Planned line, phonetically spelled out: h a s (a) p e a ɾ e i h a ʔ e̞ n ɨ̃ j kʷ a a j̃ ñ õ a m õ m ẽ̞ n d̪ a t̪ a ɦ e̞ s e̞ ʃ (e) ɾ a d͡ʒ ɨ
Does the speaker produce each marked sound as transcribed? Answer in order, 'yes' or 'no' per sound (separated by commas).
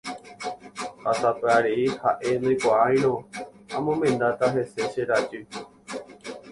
yes, yes